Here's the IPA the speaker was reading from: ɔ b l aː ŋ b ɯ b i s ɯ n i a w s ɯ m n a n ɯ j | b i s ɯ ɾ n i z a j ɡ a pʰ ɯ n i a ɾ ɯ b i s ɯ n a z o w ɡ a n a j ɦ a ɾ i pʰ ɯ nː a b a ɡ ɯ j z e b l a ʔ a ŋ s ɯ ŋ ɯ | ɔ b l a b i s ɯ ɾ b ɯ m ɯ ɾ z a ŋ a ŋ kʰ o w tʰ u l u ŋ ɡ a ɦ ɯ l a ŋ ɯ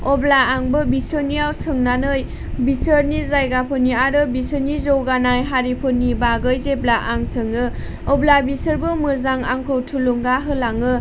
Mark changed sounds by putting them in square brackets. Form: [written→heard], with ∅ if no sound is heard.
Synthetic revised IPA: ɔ b l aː ŋ b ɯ b i s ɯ n i a w s ɯ [m→ŋ] n a n ɯ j | b i s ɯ ɾ n i z a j ɡ a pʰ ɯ n i a ɾ ɯ b i s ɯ n [a→i] z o w ɡ a n a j ɦ a ɾ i pʰ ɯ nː [a→i] b a ɡ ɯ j z e b l a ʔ a ŋ s ɯ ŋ ɯ | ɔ b l a b i s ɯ ɾ b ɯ m ɯ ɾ z a ŋ a ŋ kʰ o w tʰ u l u ŋ ɡ a ɦ ɯ l a ŋ ɯ